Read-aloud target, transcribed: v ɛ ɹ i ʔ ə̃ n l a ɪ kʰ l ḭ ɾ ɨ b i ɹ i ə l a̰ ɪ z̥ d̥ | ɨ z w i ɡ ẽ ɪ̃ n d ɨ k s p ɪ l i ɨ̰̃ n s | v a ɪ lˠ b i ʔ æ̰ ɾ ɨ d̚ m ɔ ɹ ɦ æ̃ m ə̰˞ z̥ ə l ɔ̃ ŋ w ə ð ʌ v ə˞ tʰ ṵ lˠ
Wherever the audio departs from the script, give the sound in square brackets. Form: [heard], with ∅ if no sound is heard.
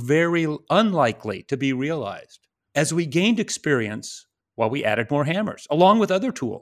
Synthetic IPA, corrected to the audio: v ɛ ɹ i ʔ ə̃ n l a ɪ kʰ l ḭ ɾ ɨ b i ɹ i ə l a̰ ɪ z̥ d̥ | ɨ z w i ɡ ẽ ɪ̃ n d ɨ k s p ɪ [ɹ] i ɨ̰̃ n s | [w] a ɪ lˠ [w] i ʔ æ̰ ɾ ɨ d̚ m ɔ ɹ ɦ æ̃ m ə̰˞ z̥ ə l ɔ̃ ŋ w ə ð ʌ [ð] ə˞ tʰ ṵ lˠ